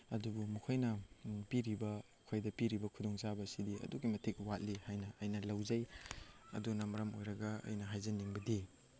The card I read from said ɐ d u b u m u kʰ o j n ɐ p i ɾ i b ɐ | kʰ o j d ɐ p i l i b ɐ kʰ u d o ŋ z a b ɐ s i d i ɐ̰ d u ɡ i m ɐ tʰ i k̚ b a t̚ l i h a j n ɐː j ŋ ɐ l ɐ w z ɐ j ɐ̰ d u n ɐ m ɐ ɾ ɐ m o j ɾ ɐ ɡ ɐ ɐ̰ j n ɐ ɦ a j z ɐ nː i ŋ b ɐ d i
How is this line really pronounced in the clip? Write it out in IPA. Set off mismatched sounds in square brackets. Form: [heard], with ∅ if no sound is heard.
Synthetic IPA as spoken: ɐ d u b u m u kʰ o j n ɐ p i ɾ i b ɐ | kʰ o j d ɐ p i [ɾ] i b ɐ kʰ u d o ŋ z a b ɐ s i d i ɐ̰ d u ɡ i m ɐ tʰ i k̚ [w] a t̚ l i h a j n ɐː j [n] ɐ l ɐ w z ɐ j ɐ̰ d u n ɐ m ɐ ɾ ɐ m o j ɾ ɐ ɡ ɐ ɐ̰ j n ɐ ɦ a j z ɐ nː i ŋ b ɐ d i

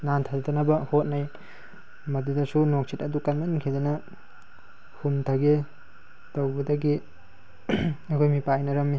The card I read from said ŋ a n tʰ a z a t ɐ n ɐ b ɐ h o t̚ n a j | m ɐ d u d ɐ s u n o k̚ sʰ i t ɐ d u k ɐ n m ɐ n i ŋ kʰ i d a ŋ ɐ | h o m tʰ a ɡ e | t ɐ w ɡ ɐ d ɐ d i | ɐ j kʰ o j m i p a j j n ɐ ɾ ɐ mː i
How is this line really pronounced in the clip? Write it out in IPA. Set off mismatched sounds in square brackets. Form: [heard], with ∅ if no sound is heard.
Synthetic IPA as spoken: [n] a n tʰ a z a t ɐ n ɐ b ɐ h o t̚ n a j | m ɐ d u d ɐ s u n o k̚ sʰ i t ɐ d u k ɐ n m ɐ n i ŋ kʰ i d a [n] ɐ | h [u] m tʰ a ɡ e | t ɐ w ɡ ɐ d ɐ [ɡ] i | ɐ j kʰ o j m i p a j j n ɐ ɾ ɐ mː i

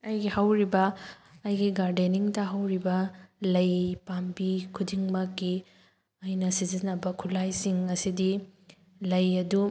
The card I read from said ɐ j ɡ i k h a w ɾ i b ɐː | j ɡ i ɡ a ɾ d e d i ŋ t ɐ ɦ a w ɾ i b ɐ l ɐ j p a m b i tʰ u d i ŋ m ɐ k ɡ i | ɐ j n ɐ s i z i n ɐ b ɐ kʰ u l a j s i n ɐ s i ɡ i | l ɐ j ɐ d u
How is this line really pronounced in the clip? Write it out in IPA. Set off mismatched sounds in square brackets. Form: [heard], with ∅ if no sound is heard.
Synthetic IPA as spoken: ɐ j ɡ i [∅] h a w ɾ i b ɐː | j ɡ i ɡ a ɾ d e [n] i ŋ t ɐ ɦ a w ɾ i b ɐ l ɐ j p a m b i [kʰ] u d i ŋ m ɐ k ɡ i | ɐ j n ɐ s i z i n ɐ b ɐ kʰ u l a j s i [ŋ] ɐ s i [d] i | l ɐ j ɐ d u

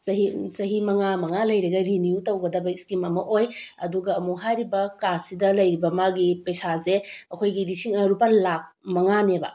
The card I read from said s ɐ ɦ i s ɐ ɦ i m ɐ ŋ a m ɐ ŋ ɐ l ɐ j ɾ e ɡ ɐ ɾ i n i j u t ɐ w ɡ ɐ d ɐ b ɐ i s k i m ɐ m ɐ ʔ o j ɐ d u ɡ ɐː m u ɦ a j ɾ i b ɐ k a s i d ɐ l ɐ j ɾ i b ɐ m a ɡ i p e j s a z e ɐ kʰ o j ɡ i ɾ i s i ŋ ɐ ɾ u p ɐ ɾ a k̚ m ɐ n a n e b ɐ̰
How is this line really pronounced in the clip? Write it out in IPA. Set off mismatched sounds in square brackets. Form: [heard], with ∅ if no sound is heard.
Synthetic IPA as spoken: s ɐ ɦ i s ɐ ɦ i m ɐ ŋ a m ɐ ŋ [a] l ɐ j ɾ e ɡ ɐ ɾ i n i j u t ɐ w ɡ ɐ d ɐ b ɐ i s k i m ɐ m ɐ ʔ o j ɐ d u ɡ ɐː m u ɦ a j ɾ i b ɐ k a s i d ɐ l ɐ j ɾ i b ɐ m a ɡ i p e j s a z e ɐ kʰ o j ɡ i ɾ i s i ŋ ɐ ɾ u p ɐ [l] a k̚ m ɐ [ŋ] a n e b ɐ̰

